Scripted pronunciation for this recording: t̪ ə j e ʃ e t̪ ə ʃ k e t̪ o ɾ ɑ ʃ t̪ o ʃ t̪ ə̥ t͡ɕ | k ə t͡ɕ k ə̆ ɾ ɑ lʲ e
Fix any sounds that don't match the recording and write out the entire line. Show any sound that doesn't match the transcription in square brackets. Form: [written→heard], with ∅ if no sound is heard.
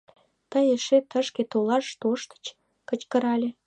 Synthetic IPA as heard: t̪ ə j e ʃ e t̪ ə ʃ k e t̪ o [ɾ→l] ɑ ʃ t̪ o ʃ t̪ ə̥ t͡ɕ | k ə t͡ɕ k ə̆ ɾ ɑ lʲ e